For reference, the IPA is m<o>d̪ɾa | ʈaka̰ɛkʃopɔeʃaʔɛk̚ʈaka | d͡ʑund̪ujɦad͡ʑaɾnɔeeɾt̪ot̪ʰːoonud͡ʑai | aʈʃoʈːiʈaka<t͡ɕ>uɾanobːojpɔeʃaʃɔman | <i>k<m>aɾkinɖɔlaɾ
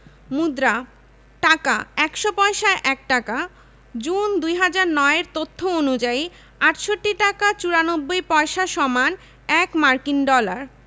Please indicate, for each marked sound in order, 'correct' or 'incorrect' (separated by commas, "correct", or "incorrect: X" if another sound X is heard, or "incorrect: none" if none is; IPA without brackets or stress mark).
incorrect: u, correct, incorrect: ɛ, correct